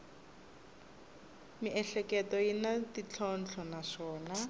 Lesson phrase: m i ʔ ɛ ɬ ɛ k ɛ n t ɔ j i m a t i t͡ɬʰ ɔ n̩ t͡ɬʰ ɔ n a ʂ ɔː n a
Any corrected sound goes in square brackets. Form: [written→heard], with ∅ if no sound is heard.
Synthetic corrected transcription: m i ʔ ɛ ɬ ɛ k ɛ [n→∅] t ɔ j i [m→n] a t i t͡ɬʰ ɔ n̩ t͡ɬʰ ɔ n a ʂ ɔː n a